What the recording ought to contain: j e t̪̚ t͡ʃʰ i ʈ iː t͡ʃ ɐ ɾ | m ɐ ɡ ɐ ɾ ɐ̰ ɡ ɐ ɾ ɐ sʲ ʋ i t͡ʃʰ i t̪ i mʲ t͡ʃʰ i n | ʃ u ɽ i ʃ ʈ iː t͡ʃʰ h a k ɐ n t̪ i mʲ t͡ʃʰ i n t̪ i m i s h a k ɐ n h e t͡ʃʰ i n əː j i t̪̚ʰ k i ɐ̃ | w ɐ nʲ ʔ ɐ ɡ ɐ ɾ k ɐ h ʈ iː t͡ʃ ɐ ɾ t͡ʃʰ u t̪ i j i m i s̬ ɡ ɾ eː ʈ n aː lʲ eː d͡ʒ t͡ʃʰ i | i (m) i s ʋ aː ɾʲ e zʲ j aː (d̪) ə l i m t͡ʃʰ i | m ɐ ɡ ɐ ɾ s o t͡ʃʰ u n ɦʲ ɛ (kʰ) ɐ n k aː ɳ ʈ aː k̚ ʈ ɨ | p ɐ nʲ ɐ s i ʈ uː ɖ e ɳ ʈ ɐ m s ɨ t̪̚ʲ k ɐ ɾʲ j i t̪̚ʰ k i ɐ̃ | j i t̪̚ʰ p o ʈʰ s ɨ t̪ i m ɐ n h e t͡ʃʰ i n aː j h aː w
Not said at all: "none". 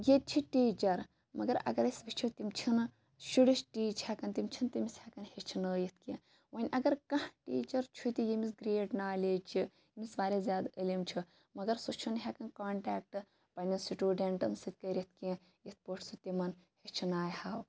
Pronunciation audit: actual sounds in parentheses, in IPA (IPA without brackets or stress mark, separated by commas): m, d̪, k